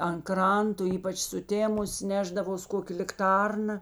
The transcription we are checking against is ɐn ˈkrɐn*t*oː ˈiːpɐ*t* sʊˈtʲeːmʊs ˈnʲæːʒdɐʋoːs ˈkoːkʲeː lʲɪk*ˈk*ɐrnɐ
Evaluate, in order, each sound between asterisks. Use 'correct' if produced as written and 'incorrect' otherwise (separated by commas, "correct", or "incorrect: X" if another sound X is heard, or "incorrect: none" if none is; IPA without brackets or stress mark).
correct, incorrect: t͡ʃ, incorrect: t